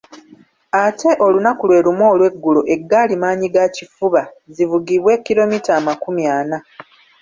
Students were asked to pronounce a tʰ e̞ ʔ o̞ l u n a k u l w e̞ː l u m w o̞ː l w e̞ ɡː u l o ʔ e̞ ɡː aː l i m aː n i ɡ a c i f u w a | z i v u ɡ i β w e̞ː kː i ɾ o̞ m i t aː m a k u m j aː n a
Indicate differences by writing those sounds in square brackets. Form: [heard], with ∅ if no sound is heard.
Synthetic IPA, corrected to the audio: a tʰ e̞ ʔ o̞ l u n a k u l w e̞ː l u m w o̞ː l w e̞ ɡː u l o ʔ e̞ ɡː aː l i m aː [ɲ] i ɡ a c i f u [β] a | z i v u ɡ i β w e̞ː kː i ɾ o̞ m i t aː m a k u m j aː n a

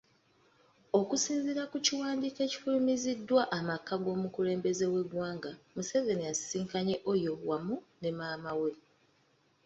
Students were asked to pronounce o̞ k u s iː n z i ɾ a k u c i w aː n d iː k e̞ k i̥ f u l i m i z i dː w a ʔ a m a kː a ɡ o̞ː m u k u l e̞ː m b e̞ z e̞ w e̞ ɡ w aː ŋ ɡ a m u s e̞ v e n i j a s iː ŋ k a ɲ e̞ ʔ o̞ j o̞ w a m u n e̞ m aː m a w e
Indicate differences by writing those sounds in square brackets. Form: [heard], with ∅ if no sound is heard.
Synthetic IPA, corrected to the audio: o̞ k u s iː n z i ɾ a k u c i w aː n d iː k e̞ [c] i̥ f u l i m i z i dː w a ʔ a m a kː a ɡ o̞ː m u k u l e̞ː m b e̞ z e̞ w e̞ ɡ w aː ŋ ɡ a m u s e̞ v e n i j a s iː ŋ k a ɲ e̞ ʔ o̞ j o̞ w a m u n e̞ m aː m a w e

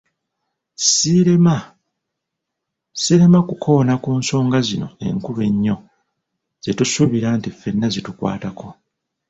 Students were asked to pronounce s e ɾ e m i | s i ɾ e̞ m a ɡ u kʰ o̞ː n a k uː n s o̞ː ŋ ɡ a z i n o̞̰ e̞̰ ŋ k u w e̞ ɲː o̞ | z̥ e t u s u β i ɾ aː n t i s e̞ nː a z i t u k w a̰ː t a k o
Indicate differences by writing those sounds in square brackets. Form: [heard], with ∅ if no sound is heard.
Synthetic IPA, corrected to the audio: s [i] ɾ e m [a] | s i ɾ e̞ m a [k] u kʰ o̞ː n a k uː n s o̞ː ŋ ɡ a z i n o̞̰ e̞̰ ŋ k u [β] e̞ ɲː o̞ | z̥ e t u s u β i ɾ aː n t i [f] e̞ nː a z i t u k w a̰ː t a k o

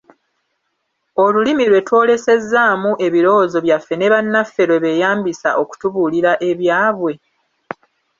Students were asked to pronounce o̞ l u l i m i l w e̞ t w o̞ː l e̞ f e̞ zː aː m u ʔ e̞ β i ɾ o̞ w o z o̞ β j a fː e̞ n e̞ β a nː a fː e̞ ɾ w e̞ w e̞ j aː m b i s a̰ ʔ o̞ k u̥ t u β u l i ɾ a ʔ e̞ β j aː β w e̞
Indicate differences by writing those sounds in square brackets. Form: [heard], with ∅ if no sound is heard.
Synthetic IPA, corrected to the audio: o̞ l u l i m i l w e̞ t w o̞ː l e̞ [s] e̞ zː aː m u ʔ e̞ β i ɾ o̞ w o z o̞ β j a fː e̞ n e̞ β a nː a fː e̞ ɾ w e̞ [β] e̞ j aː m b i s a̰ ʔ o̞ k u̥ t u β u l i ɾ a ʔ e̞ β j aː β w e̞

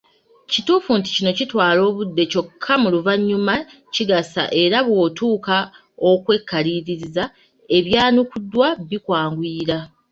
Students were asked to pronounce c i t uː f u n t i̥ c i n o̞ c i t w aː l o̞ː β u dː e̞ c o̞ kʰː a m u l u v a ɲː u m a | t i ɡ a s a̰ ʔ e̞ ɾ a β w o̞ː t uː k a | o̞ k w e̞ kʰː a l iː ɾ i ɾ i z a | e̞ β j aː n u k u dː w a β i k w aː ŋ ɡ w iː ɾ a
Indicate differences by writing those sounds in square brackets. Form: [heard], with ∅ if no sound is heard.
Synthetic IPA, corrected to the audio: c i t uː f u n t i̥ c i n o̞ c i t w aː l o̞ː β u dː e̞ c o̞ kʰː a m u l u v a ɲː u m a | [c] i ɡ a s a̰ ʔ e̞ ɾ a β w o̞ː t uː k a | o̞ k w e̞ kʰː a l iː ɾ i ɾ i z a | e̞ β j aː n u k u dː w a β i k w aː ŋ ɡ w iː ɾ a

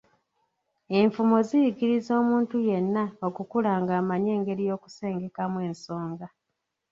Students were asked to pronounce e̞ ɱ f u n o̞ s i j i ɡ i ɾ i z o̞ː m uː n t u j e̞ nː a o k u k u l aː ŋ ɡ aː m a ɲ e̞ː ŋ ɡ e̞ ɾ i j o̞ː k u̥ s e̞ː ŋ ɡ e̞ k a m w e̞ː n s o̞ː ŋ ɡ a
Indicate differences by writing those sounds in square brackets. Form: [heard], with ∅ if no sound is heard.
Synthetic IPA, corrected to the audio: e̞ ɱ f u [m] o̞ [z] i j i ɡ i ɾ i z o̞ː m uː n t u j e̞ nː a o k u k u l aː ŋ ɡ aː m a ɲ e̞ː ŋ ɡ e̞ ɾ i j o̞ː k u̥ s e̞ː ŋ ɡ e̞ k a m w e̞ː n s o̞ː ŋ ɡ a

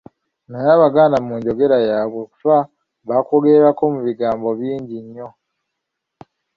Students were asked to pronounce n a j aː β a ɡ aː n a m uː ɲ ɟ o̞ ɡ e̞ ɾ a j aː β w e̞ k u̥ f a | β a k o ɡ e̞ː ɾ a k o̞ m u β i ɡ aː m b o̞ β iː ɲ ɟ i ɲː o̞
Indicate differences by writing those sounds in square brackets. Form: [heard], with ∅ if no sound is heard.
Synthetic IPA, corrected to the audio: n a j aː β a ɡ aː n a m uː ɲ ɟ o̞ ɡ e̞ ɾ a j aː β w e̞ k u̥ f a | β a k o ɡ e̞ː ɾ a k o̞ m u β i ɡ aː m b o̞ β iː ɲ ɟ i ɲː o̞

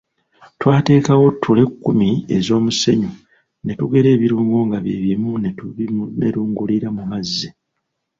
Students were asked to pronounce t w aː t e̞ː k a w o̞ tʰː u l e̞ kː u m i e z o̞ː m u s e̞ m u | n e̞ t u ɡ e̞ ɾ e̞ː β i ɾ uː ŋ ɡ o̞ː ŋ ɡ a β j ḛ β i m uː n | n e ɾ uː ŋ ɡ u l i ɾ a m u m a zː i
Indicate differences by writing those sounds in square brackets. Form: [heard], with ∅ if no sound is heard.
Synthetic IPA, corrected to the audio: t w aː t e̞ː k a w o̞ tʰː u l e̞ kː u m i e z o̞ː m u s e̞ [ɲ] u | n e̞ t u ɡ e̞ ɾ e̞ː β i ɾ uː ŋ ɡ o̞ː ŋ ɡ a β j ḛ β i m [u] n | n e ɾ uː ŋ ɡ u l i ɾ a m u m a zː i

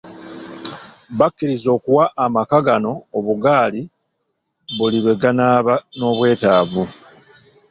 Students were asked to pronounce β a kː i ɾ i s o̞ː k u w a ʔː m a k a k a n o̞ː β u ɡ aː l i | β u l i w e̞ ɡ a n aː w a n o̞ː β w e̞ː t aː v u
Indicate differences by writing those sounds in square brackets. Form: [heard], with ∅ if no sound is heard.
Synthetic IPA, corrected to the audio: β a kː i ɾ i [z] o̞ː k u w a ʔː m a k a [ɡ] a n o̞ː β u ɡ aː l i | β u l i [β] e̞ ɡ a n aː [β] a n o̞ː β w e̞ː t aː v u

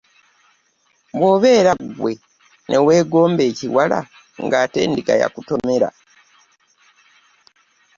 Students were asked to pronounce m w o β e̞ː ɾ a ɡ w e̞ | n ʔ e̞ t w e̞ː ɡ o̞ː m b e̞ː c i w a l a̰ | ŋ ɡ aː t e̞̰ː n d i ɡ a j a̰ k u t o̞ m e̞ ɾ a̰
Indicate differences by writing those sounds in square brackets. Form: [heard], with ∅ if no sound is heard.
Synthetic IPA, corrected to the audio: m w o β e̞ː ɾ a ɡ w e̞ | n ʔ e̞ [∅] w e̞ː ɡ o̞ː m b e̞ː c i w a l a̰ | ŋ ɡ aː t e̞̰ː n d i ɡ a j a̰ k u t o̞ m e̞ ɾ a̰

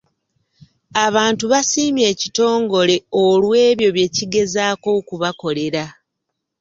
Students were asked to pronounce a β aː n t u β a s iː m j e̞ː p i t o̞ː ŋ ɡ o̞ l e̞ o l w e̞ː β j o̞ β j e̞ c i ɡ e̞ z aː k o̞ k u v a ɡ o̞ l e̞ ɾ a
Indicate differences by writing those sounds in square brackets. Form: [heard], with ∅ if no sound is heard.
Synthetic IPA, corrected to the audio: a β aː n t u β a s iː m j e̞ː [c] i t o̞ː ŋ ɡ o̞ l e̞ o l w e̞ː β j o̞ β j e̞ c i ɡ e̞ z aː k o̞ k u [β] a [k] o̞ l e̞ ɾ a

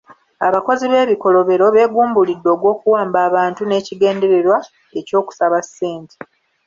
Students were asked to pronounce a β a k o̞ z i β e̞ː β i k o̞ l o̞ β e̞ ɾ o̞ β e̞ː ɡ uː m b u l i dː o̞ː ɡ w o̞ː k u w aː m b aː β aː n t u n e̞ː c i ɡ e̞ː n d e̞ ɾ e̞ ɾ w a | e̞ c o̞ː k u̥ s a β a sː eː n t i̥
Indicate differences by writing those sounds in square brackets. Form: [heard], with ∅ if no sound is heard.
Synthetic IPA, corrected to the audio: a β a k o̞ z i β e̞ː β i k o̞ l o̞ β e̞ ɾ o̞ β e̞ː ɡ uː m b u l i dː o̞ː ɡ w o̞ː k u w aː m b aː β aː n t u n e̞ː c i ɡ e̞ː n d e̞ ɾ e̞ ɾ w a | e̞ c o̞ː k u̥ s a β a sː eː n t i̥

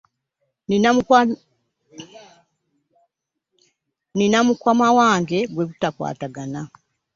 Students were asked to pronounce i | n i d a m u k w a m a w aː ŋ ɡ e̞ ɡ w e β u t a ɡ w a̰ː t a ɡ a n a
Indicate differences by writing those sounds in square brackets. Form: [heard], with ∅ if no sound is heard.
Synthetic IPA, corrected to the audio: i | n i [n] a m u k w a m a w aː ŋ ɡ e̞ ɡ w e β u t a [k] w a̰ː t a ɡ a n a

